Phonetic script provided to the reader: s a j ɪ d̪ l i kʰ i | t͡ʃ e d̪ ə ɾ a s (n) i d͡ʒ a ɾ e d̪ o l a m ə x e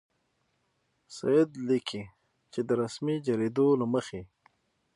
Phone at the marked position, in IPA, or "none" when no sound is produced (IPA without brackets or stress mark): m